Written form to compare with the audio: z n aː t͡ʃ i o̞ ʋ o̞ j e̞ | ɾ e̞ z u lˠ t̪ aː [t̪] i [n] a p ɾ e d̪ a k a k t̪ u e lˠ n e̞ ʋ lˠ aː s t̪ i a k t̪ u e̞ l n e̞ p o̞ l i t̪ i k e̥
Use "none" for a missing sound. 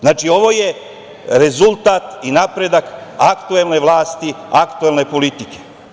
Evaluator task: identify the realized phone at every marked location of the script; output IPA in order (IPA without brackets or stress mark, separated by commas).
t̪, n